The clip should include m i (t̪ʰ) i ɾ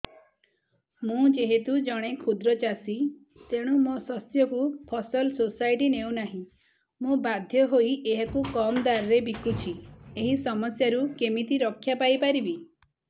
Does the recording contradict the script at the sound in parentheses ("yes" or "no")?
yes